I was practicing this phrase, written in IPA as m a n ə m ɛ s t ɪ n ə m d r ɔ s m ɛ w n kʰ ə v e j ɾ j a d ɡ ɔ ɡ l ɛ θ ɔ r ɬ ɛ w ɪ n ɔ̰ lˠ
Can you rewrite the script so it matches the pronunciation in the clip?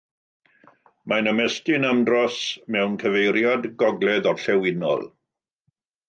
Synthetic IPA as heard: m a n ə m ɛ s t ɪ n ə m d r ɔ s m ɛ w n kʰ ə v e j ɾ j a d ɡ ɔ ɡ l ɛ ð ɔ r ɬ ɛ w ɪ n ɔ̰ lˠ